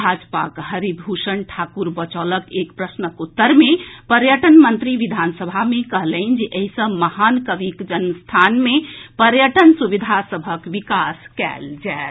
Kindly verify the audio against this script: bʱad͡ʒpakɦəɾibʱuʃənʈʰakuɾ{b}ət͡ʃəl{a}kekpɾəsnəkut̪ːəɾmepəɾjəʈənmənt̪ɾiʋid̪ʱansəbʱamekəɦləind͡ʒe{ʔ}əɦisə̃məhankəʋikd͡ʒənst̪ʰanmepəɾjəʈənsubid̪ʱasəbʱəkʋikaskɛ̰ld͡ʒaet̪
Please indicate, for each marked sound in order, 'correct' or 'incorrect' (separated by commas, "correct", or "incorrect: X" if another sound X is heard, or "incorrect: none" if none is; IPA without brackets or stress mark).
correct, incorrect: ə, correct